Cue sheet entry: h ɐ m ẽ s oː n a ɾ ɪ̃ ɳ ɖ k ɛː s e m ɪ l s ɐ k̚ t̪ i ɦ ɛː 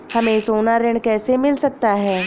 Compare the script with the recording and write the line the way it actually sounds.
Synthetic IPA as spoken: h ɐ m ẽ s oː n a ɾ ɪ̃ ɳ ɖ k ɛː s e m ɪ l s ɐ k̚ t̪ a ɦ ɛː